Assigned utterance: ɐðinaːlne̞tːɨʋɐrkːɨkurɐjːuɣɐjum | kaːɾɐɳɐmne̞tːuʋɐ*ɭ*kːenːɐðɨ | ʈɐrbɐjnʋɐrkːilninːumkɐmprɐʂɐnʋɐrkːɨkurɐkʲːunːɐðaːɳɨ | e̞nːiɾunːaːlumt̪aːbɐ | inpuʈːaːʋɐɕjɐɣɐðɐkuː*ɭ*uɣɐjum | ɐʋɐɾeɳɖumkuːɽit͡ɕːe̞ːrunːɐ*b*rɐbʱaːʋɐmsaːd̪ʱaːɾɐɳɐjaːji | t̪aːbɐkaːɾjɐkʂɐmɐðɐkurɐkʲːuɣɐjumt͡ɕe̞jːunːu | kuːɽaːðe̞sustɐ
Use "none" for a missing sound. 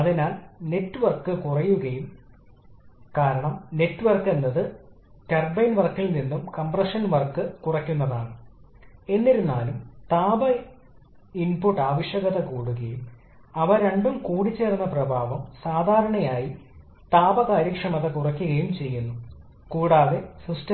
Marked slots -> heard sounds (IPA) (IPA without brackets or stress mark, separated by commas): r, ɽ, p